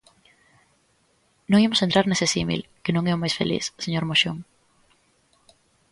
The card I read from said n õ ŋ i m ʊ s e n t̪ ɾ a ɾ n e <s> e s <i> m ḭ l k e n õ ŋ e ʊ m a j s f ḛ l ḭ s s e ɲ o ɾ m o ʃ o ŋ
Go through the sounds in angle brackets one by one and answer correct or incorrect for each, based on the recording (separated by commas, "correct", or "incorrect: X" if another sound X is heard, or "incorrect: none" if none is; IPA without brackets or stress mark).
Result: correct, correct